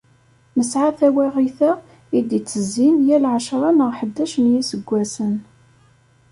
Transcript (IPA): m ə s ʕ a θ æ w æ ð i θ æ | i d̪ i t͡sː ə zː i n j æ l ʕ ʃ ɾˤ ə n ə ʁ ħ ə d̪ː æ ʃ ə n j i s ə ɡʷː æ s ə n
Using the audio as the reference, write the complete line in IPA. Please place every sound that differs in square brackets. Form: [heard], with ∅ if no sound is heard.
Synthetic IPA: m ə s ʕ a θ æ w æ [ʁ] i θ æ | i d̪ i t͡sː ə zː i n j æ l ʕ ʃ ɾˤ [ɑ] n ə ʁ ħ ə d̪ː æ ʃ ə n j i s ə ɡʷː æ s ə n